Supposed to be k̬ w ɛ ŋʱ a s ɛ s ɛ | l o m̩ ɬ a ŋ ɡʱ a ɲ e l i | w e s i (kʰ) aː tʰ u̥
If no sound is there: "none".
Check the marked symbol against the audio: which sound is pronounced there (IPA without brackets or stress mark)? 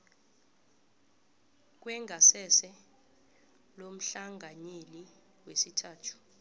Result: tʰ